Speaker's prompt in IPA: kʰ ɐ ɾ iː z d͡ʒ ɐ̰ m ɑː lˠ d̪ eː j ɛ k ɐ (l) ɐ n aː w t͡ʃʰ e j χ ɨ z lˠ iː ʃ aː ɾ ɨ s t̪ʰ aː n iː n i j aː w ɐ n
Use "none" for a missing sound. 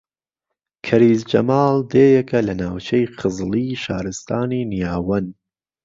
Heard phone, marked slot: l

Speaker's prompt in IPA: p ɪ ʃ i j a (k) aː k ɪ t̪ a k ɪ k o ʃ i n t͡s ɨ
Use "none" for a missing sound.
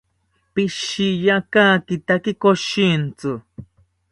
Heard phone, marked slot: k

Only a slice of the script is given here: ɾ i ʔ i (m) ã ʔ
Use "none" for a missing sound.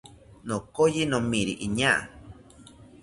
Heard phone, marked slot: ɲ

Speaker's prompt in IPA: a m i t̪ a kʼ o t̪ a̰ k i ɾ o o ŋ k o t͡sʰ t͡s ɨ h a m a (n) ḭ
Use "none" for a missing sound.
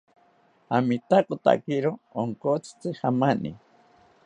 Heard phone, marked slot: n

